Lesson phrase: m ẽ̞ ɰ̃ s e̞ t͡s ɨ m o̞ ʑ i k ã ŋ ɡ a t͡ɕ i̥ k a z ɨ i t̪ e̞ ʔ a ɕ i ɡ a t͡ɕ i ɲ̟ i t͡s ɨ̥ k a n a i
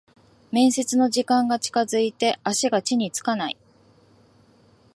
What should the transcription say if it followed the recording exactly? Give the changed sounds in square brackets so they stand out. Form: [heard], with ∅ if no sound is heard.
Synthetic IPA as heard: m ẽ̞ ɰ̃ s e̞ t͡s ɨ [n] o̞ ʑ i k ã ŋ ɡ a t͡ɕ i̥ k a z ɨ i t̪ e̞ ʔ a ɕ i ɡ a t͡ɕ i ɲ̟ i t͡s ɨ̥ k a n a i